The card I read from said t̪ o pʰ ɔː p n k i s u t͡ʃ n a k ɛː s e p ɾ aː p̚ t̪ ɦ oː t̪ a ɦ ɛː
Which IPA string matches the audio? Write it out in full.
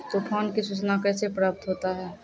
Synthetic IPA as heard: t̪ o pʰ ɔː n k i s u t͡ʃ n a k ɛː s e p ɾ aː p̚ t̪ ɦ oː t̪ a ɦ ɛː